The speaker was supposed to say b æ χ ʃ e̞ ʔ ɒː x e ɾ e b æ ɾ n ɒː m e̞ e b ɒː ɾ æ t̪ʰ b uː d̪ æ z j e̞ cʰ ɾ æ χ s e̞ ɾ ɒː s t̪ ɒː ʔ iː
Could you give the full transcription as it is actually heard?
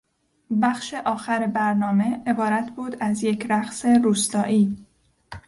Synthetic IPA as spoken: b æ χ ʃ e̞ ʔ ɒː x æ ɾ e b æ ɾ n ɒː m e̞ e b ɒː ɾ æ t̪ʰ b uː d̪ æ z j e̞ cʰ ɾ æ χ s e̞ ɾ uː s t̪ ɒː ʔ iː

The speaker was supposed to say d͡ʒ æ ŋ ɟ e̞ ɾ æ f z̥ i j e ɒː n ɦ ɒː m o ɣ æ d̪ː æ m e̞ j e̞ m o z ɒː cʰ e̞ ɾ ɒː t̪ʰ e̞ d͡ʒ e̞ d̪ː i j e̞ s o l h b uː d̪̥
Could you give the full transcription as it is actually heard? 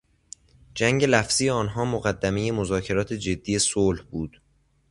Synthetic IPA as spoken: d͡ʒ æ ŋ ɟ e̞ l æ f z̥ i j e ɒː n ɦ ɒː m o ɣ æ d̪ː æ m e̞ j e̞ m o z ɒː cʰ e̞ ɾ ɒː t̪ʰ e̞ d͡ʒ e̞ d̪ː i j e̞ s o l h b uː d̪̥

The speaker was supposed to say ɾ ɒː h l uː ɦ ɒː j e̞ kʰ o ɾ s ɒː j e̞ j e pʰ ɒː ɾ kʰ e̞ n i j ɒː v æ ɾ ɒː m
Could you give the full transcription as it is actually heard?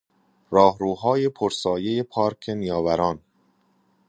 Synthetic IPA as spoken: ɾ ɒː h ɾ uː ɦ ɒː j e̞ pʰ o ɾ s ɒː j e̞ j e pʰ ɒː ɾ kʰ e̞ n i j ɒː v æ ɾ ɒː n

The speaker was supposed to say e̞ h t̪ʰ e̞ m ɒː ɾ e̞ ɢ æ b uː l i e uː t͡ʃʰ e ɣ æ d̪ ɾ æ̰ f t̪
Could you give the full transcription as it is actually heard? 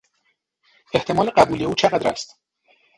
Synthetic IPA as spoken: e̞ h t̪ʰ e̞ m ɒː l e̞ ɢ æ b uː l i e uː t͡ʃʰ e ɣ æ d̪ ɾ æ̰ s t̪

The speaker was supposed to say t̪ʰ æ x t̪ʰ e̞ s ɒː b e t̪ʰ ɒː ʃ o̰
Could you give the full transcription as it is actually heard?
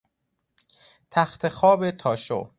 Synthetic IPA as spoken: t̪ʰ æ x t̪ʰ e̞ x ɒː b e t̪ʰ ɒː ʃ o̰

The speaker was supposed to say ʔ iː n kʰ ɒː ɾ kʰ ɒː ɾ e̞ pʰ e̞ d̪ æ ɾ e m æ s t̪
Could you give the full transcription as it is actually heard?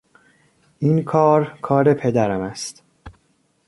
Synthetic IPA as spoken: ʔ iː n kʰ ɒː ɾ kʰ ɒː ɾ e̞ pʰ e̞ d̪ æ ɾ æ m æ s t̪

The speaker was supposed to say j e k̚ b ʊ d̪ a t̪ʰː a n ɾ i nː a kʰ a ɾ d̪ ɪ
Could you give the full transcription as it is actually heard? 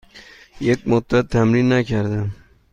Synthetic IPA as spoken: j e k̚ m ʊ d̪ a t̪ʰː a m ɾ i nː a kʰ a ɾ d̪ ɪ

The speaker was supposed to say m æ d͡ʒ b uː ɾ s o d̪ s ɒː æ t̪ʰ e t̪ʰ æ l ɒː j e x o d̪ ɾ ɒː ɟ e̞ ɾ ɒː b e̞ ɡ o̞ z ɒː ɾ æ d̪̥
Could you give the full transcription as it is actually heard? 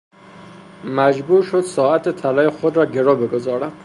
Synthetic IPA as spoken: m æ d͡ʒ b uː ɾ ʃ o d̪ s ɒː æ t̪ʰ e t̪ʰ æ l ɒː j e x o d̪ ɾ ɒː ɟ e̞ ɾ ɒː b e̞ ɡ o̞ z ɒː ɾ æ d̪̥

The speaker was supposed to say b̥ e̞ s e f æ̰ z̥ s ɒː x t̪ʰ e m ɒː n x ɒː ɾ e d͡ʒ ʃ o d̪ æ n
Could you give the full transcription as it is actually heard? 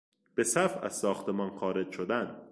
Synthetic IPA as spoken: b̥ e̞ s æ f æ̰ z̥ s ɒː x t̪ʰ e m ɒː n x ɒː ɾ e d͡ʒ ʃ o d̪ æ n

